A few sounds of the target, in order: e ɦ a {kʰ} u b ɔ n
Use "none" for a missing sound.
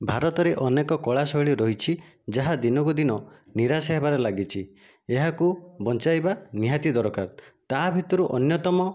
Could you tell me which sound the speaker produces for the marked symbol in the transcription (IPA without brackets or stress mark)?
k